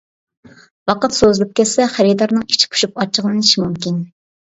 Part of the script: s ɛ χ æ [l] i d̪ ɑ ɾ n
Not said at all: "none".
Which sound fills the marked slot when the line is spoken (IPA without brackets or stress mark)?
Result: ɾ